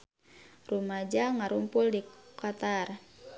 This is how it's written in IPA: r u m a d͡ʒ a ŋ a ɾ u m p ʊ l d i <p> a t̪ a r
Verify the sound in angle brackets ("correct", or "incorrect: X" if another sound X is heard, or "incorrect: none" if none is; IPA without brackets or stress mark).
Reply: incorrect: k